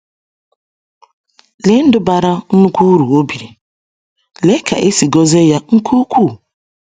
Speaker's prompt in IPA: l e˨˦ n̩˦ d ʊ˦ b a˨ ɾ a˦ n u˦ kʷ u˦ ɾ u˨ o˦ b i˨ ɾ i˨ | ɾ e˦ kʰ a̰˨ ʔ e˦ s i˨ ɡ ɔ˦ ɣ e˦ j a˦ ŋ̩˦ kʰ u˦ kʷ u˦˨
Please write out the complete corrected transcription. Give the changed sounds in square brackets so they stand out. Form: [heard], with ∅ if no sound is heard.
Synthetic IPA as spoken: l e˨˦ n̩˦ d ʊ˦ b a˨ ɾ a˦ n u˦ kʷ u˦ ɾ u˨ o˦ b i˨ ɾ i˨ | [l] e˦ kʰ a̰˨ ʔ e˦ s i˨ ɡ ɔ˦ [z] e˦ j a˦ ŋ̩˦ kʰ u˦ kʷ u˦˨